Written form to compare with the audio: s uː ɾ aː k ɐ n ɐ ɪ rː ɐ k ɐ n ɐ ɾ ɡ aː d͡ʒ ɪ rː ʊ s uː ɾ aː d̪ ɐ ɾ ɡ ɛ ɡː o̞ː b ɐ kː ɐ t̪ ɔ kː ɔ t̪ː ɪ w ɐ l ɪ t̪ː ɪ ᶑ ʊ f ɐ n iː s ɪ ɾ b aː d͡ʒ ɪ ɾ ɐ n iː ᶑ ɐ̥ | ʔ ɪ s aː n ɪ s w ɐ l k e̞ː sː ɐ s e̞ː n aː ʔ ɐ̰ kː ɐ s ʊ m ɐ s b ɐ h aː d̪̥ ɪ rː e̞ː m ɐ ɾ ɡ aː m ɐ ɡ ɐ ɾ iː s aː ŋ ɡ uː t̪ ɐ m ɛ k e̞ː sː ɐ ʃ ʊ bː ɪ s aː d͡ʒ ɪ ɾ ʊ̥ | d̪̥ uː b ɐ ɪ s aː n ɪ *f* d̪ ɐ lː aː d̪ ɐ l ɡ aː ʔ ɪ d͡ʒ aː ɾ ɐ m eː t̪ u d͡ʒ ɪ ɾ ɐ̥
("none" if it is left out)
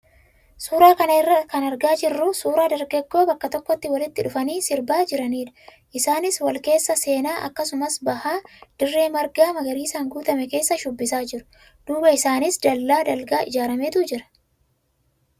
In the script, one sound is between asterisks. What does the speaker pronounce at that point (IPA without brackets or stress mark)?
s